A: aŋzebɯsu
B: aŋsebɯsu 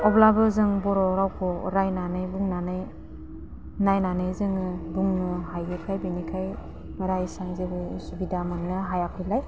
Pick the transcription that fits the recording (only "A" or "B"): A